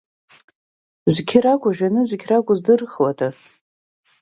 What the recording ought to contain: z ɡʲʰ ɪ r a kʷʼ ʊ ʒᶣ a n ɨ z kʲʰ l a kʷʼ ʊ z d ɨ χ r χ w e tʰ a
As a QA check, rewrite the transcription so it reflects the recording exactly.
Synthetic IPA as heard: z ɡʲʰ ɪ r a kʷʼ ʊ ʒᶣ a n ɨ z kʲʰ r a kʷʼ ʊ z d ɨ r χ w a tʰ a